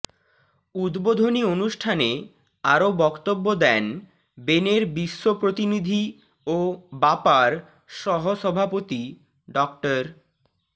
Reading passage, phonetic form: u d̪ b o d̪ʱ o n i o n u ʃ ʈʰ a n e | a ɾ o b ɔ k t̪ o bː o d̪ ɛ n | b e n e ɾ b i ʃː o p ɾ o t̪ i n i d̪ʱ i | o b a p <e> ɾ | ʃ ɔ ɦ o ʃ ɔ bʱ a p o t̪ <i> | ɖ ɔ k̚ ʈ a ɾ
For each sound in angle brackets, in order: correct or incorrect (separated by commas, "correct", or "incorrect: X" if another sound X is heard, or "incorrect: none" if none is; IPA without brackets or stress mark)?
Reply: incorrect: a, correct